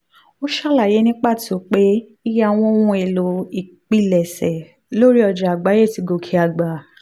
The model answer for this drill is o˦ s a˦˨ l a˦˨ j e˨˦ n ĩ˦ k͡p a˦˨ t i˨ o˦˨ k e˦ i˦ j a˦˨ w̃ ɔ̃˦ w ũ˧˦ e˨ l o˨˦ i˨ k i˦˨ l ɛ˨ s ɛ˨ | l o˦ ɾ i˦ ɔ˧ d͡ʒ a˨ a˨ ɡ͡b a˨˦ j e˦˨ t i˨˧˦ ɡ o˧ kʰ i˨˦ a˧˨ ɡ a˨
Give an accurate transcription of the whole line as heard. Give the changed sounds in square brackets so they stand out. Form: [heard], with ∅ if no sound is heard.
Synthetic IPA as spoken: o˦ [ʃ] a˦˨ l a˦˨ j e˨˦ n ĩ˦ k͡p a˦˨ t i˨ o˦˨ [k͡p] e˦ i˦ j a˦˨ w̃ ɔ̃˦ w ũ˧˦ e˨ l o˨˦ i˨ [k͡p] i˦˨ l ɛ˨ s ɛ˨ | l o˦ ɾ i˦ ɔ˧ d͡ʒ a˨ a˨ ɡ͡b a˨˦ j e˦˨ t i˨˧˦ ɡ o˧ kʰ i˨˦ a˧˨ [ɡ͡b] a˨